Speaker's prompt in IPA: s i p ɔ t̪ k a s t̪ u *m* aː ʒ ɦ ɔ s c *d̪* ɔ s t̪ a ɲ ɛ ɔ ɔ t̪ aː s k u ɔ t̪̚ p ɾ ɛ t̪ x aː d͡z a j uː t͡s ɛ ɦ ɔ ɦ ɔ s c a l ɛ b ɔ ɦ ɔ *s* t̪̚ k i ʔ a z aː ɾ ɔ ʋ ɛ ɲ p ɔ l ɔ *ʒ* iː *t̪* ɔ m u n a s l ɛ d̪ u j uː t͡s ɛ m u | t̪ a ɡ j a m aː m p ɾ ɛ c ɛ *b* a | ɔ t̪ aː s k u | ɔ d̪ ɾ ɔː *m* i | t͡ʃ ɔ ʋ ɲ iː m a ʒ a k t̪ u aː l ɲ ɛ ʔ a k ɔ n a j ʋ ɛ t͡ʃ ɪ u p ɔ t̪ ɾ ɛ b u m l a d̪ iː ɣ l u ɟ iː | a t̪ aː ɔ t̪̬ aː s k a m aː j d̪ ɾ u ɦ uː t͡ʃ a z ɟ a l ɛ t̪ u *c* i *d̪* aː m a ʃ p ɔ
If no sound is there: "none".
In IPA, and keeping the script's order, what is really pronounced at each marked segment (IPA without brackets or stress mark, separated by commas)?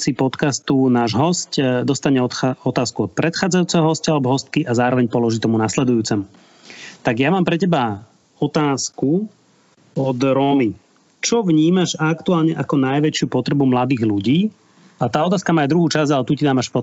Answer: n, d̪, s, ʒ, t̪, b, m, c, d̪